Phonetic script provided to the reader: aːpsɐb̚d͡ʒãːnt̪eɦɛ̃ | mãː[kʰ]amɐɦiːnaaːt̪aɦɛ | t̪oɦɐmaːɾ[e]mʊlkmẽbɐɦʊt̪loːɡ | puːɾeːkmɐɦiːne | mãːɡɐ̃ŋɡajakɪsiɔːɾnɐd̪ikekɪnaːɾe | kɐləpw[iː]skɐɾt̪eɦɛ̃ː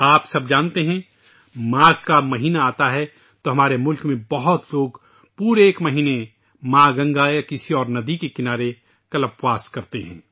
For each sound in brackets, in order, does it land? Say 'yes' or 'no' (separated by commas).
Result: no, yes, no